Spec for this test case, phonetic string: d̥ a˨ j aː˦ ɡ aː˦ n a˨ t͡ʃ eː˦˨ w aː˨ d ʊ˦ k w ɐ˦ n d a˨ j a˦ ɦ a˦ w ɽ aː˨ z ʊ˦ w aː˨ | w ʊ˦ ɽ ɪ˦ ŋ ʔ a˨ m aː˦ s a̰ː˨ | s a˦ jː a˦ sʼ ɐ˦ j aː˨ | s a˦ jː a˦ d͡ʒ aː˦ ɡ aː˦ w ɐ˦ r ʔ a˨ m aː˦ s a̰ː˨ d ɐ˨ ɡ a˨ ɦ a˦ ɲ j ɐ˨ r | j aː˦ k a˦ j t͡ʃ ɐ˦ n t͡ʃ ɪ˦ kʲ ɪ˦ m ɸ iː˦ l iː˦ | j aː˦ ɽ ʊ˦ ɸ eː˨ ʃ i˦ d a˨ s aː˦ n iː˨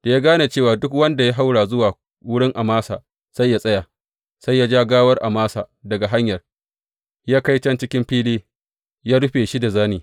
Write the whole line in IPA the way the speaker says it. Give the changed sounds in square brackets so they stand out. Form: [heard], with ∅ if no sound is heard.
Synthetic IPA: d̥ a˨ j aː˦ ɡ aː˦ n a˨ t͡ʃ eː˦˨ w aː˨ d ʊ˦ k w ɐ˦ n d a˨ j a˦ ɦ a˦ w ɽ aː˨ z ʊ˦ w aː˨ | w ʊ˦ ɽ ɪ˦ ŋ ʔ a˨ m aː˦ s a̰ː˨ | s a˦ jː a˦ sʼ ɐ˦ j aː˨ | s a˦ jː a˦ d͡ʒ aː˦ ɡ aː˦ w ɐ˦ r ʔ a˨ m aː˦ s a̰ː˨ d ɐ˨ ɡ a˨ ɦ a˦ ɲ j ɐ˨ r | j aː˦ k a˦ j t͡ʃ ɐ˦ n t͡ʃ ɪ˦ kʲ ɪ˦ m ɸ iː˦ l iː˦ | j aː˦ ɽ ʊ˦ ɸ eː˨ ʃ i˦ d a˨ [z] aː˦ n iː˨

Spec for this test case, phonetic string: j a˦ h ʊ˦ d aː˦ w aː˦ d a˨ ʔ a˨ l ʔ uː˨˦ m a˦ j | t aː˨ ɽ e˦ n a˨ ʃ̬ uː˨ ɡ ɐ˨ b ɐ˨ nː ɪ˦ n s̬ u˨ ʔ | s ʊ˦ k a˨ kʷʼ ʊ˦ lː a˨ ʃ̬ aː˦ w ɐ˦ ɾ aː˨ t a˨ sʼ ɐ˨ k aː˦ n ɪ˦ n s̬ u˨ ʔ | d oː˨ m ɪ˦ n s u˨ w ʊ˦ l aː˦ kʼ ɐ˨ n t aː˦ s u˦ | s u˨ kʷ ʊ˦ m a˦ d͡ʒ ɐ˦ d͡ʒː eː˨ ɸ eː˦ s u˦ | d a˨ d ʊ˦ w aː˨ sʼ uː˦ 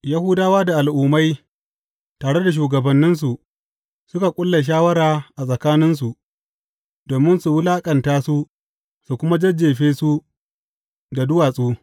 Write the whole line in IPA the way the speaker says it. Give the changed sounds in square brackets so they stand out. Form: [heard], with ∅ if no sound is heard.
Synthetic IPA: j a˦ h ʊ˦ d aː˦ w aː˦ d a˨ ʔ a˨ l ʔ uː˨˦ m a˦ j | t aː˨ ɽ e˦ [d] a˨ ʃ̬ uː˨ ɡ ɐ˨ b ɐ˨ nː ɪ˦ n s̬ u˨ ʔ | s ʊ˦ k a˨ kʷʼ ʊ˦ lː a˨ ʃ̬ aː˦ w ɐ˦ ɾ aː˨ [ʔ] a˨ sʼ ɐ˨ k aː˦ n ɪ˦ n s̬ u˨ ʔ | d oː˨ m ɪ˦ n s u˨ w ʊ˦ l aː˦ kʼ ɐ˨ n t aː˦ s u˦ | s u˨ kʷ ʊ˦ m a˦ d͡ʒ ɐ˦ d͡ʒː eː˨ ɸ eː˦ s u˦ | d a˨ d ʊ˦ w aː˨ sʼ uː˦

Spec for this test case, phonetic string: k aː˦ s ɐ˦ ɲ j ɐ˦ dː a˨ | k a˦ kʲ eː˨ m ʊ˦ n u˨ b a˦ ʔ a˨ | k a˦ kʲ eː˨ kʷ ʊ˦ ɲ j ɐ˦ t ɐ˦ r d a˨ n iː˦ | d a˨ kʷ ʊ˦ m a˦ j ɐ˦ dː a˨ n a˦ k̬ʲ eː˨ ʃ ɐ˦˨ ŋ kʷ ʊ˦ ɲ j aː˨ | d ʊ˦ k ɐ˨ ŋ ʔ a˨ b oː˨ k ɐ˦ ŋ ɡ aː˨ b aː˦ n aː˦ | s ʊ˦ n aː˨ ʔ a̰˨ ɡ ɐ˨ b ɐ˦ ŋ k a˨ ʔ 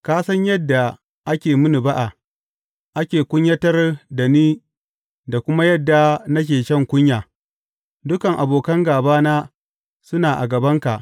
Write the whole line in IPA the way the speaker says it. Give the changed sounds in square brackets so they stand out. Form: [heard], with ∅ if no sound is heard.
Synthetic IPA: k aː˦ s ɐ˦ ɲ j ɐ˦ dː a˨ | [ʔ] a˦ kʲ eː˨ m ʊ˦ n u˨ b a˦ ʔ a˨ | [ʔ] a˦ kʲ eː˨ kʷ ʊ˦ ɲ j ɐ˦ t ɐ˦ r d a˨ n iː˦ | d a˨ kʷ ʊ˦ m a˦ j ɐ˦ dː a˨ n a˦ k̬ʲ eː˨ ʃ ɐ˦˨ ŋ kʷ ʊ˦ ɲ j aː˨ | d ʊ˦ k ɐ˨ ŋ ʔ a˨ b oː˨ k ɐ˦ ŋ ɡ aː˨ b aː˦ n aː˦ | s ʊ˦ n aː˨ ʔ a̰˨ ɡ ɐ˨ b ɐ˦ ŋ k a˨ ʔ

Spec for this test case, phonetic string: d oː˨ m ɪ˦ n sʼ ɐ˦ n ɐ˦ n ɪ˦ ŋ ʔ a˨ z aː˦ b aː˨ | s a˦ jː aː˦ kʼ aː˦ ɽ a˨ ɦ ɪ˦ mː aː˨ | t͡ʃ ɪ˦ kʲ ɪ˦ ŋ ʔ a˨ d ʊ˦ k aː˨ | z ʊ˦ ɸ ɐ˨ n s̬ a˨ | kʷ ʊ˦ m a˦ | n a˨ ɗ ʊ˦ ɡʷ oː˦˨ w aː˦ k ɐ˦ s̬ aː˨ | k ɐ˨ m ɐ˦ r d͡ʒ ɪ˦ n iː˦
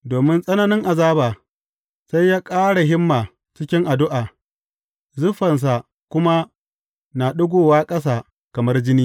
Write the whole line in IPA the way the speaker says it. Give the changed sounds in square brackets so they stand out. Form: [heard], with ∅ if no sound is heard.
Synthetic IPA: d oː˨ m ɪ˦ n sʼ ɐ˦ n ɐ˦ n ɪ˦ ŋ ʔ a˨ z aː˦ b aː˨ | s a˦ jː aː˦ kʼ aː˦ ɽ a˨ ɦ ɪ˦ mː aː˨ | t͡ʃ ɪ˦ kʲ ɪ˦ ŋ ʔ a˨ d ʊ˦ [ʔ] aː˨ | z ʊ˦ ɸ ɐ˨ n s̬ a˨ | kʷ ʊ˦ m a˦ | n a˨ ɗ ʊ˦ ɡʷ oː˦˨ w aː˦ [kʼ] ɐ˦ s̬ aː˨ | k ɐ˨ m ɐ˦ r d͡ʒ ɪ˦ n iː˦

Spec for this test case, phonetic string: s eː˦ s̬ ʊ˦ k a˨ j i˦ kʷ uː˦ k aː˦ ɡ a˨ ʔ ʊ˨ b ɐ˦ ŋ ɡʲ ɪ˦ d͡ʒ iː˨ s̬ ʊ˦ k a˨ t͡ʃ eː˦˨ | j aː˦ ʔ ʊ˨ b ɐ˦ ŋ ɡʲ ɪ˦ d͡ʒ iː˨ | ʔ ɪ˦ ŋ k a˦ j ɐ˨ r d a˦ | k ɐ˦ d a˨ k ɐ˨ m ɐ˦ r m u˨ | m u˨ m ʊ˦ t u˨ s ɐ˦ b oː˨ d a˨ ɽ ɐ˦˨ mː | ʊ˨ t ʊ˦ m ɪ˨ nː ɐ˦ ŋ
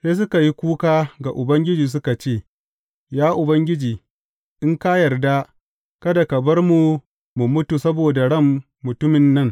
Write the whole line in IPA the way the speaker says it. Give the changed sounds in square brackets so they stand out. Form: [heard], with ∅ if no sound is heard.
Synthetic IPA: s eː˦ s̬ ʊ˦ k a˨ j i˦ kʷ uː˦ k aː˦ ɡ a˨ ʔ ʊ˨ b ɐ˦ ŋ ɡʲ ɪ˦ d͡ʒ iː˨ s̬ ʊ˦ k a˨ t͡ʃ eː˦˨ | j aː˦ ʔ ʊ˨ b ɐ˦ ŋ ɡʲ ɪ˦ d͡ʒ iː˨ | ʔ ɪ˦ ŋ k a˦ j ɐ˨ r d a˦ | k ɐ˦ d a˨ k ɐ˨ [b] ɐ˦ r m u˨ | m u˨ m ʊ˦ t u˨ s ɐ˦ b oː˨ d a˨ ɽ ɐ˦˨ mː | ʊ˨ t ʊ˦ m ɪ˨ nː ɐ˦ ŋ

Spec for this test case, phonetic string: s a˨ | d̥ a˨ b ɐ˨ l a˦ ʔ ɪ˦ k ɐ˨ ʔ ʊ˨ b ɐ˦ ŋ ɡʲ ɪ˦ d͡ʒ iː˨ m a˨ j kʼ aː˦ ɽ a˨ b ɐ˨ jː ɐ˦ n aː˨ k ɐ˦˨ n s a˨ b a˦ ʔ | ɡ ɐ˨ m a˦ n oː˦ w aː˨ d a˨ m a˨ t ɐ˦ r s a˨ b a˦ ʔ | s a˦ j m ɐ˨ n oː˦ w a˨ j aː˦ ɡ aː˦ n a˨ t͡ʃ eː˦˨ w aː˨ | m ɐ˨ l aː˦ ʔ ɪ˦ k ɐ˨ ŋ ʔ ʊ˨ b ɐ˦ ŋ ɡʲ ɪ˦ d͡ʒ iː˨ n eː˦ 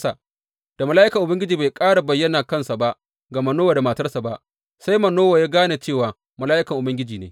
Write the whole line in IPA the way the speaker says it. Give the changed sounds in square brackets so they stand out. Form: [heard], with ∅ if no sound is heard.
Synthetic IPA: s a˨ | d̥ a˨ [m] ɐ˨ l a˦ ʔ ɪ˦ k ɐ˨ ʔ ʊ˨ b ɐ˦ ŋ ɡʲ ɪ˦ d͡ʒ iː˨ [b] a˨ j kʼ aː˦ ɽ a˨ b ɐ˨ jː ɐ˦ n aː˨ k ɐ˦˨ n s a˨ b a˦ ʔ | ɡ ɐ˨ m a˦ n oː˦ w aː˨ d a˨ m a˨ t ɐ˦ r s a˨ b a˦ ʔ | s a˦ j m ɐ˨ n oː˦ w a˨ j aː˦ ɡ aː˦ n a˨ t͡ʃ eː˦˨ w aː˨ | m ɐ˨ l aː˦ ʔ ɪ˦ k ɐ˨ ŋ ʔ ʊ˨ b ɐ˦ ŋ ɡʲ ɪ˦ d͡ʒ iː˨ n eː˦

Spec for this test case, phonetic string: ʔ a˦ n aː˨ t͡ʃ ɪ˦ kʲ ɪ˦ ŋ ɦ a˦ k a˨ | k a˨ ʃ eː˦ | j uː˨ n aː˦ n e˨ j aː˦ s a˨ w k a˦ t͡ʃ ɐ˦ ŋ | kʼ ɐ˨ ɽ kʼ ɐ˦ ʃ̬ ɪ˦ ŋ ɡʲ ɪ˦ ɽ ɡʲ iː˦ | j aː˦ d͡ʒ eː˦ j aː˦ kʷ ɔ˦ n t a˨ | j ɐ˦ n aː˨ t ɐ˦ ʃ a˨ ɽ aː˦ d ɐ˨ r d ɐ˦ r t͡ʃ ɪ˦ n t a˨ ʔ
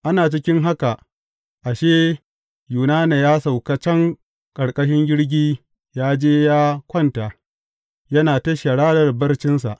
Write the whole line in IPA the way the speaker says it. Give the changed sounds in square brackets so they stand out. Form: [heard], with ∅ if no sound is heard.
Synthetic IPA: ʔ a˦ n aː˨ t͡ʃ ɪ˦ kʲ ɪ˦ ŋ ɦ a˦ k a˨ | [ʔ] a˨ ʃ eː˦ | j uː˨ n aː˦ n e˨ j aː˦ s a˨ w k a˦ t͡ʃ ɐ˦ ŋ | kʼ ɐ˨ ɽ kʼ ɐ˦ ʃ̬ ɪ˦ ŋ ɡʲ ɪ˦ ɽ ɡʲ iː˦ | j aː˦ d͡ʒ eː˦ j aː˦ kʷ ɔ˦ n t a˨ | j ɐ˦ n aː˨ t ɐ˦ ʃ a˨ ɽ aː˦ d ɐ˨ r [b] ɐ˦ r t͡ʃ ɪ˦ n [s] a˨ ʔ

